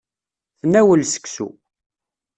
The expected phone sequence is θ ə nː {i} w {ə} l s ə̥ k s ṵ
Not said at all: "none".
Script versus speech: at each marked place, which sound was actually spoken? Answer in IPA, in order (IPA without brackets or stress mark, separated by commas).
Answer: æ, ə